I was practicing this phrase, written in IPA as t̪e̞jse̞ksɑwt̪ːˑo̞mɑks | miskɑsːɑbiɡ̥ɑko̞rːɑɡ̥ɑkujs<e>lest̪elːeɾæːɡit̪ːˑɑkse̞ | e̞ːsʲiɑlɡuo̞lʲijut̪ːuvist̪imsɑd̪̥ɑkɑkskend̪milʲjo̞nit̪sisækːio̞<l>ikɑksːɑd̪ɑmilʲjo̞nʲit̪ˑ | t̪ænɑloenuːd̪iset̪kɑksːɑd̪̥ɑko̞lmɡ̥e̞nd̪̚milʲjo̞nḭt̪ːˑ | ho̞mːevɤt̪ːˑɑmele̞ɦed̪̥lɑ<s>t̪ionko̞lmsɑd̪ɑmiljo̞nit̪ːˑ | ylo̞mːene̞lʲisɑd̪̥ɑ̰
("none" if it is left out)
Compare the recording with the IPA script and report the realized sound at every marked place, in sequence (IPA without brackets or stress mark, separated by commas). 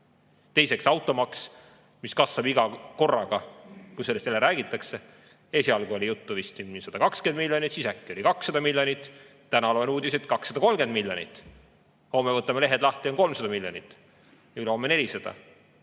e, l, h